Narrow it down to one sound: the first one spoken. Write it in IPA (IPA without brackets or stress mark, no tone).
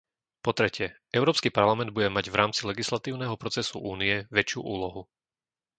p